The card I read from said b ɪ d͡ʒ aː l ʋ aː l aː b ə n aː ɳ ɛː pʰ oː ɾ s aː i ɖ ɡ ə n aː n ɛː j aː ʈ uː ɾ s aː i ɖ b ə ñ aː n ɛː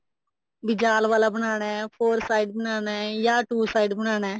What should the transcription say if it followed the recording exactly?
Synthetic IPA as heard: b ɪ d͡ʒ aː l ʋ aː l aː b ə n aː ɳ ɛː pʰ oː ɾ s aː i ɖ b ə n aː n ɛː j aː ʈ uː s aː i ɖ b ə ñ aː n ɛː